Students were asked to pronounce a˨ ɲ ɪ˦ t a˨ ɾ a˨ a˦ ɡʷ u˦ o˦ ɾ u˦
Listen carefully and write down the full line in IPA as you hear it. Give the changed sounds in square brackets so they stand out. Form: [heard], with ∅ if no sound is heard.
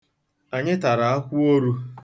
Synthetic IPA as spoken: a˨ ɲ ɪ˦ t a˨ ɾ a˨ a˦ [kʷ] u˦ o˦ ɾ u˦